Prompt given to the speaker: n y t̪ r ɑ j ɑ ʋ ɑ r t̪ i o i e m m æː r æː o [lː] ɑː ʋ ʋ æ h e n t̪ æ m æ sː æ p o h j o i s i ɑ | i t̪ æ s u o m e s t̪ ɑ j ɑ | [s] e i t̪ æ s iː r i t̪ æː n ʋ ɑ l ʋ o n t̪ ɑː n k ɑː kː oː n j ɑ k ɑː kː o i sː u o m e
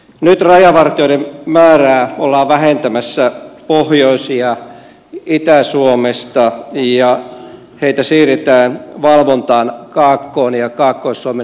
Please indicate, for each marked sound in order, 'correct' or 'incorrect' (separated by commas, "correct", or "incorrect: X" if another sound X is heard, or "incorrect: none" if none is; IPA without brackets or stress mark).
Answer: correct, incorrect: h